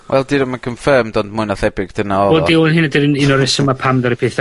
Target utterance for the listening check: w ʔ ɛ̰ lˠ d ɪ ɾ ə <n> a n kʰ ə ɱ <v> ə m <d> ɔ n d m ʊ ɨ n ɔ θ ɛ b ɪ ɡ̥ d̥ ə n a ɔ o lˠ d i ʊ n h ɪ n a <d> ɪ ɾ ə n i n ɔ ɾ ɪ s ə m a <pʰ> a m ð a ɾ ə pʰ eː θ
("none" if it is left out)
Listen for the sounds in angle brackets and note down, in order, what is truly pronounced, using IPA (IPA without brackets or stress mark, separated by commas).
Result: m, f, d, d, pʰ